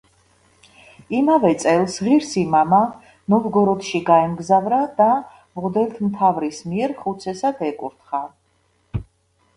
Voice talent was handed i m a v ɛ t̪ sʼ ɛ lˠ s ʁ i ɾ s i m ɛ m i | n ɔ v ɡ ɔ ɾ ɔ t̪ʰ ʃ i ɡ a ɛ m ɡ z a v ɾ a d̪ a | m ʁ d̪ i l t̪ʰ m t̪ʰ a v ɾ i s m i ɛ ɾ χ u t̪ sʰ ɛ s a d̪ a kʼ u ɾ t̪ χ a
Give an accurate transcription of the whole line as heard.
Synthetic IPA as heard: i m a v ɛ t̪ sʼ ɛ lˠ s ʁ i ɾ s i m a m a | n ɔ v ɡ ɔ ɾ ɔ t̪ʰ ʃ i ɡ a ɛ m ɡ z a v ɾ a d̪ a | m ʁ d̪ ɛ l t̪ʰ m t̪ʰ a v ɾ i s m i ɛ ɾ χ u t̪ sʰ ɛ s a d̪ ɛ kʼ u ɾ t̪ χ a